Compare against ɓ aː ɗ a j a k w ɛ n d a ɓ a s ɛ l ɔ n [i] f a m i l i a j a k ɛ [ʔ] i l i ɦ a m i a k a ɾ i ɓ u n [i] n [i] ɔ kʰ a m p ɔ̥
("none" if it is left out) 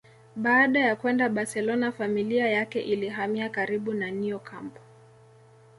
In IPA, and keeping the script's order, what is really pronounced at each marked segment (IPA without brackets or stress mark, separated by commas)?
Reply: a, ʔ, a, i